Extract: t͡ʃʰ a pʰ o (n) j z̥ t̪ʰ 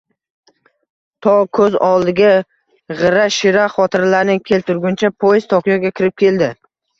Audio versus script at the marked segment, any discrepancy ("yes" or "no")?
yes